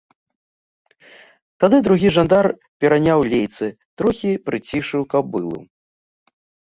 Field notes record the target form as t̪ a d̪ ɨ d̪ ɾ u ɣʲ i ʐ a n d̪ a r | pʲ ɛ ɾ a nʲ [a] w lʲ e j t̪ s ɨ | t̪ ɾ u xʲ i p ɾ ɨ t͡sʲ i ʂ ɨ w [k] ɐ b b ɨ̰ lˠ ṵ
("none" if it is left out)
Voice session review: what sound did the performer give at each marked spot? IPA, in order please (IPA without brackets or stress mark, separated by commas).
a, k